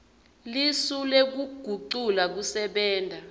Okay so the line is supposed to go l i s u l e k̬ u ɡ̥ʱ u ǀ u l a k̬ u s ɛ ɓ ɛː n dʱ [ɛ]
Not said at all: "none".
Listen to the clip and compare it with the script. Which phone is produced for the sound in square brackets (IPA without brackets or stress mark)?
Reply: a